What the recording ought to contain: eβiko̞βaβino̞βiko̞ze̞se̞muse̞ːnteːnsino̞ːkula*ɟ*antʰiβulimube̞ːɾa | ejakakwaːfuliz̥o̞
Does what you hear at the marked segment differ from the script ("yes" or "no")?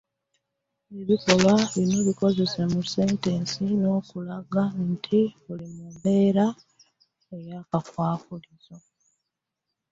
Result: yes